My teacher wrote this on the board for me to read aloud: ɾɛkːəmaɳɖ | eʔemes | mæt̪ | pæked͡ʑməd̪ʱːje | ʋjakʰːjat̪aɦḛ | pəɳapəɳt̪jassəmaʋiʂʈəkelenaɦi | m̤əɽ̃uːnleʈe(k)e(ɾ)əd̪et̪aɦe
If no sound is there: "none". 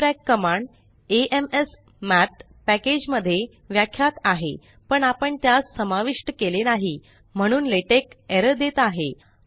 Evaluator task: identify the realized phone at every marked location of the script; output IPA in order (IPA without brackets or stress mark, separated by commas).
k, ɾ